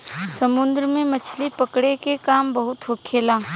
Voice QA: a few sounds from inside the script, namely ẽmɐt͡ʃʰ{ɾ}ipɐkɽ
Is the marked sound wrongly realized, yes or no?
yes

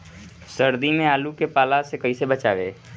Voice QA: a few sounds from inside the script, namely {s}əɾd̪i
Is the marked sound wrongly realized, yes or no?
no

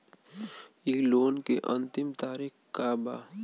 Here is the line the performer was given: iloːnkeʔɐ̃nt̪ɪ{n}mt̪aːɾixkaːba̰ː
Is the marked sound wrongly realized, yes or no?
yes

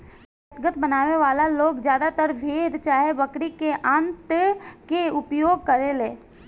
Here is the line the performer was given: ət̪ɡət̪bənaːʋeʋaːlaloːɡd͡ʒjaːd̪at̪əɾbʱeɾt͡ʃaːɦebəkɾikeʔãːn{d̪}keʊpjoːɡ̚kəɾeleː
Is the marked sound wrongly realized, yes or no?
yes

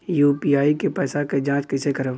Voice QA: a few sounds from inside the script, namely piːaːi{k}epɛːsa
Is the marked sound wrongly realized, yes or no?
no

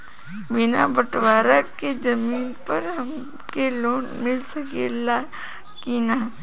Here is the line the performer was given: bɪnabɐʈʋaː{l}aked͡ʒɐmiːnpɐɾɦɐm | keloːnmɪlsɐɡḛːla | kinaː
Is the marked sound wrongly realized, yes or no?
yes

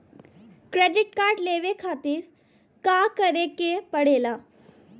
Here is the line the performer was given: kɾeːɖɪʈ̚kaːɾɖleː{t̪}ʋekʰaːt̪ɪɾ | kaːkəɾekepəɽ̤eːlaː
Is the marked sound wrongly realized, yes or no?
yes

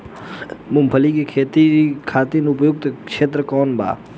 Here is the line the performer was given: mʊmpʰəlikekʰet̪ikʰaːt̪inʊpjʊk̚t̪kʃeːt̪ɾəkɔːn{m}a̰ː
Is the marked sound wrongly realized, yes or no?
yes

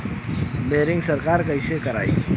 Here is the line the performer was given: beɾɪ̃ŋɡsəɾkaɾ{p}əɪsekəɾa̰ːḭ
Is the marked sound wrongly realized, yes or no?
yes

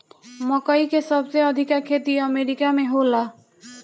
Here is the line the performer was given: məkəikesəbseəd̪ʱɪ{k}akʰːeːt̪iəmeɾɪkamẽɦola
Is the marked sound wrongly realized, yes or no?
no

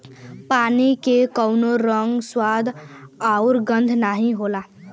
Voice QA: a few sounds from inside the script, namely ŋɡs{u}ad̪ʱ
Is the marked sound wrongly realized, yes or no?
yes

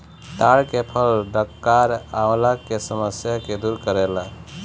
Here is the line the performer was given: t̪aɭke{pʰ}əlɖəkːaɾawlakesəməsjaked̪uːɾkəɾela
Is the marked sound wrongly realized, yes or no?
no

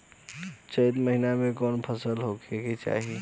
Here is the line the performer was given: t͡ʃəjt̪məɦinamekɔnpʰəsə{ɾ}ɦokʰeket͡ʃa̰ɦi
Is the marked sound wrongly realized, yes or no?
yes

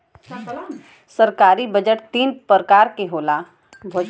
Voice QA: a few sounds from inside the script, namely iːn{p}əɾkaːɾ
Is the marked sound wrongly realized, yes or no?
no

